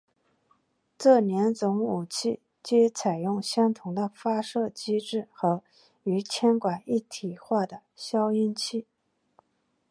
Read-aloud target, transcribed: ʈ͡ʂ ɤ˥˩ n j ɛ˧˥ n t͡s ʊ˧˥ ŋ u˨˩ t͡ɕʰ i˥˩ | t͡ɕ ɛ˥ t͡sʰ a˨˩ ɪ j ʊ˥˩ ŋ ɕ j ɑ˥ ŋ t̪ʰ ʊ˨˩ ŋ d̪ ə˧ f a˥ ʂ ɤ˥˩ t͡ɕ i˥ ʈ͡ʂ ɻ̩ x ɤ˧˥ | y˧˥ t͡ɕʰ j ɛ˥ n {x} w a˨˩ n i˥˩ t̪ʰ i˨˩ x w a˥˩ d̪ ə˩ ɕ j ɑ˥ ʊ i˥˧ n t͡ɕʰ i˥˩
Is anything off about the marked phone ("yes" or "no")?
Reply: yes